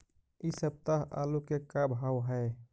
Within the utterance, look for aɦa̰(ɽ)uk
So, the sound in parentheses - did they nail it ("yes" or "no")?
no